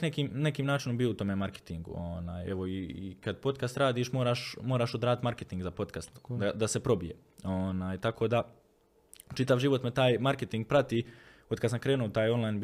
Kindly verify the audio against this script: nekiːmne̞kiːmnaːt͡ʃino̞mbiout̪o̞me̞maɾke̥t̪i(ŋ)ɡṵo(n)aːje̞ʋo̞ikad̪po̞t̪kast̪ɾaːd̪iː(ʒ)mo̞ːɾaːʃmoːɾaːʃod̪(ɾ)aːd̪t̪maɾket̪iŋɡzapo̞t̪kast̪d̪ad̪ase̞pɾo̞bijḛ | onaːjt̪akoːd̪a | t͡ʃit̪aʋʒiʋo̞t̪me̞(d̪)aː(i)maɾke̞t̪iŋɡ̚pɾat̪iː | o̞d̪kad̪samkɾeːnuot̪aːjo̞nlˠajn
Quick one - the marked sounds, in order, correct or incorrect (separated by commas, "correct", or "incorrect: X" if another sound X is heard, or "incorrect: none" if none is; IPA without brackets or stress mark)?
correct, correct, incorrect: ʃ, correct, incorrect: t̪, incorrect: j